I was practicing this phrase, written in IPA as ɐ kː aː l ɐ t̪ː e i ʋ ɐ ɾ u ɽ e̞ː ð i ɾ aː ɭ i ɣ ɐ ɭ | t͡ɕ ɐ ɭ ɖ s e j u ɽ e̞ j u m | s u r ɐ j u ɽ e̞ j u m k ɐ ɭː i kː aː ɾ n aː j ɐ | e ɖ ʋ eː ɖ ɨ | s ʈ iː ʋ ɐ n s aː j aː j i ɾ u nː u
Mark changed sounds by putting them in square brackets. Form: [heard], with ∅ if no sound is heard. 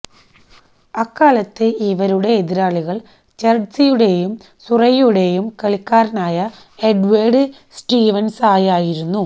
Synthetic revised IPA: ɐ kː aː l ɐ t̪ː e i ʋ ɐ ɾ u ɽ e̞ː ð i ɾ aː ɭ i ɣ ɐ ɭ | t͡ɕ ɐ [r] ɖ s [i] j u ɽ e̞ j u m | s u r ɐ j u ɽ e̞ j u m k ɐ [ɭ] i kː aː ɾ n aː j ɐ | e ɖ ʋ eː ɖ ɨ | s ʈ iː ʋ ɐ n s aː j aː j i ɾ u nː u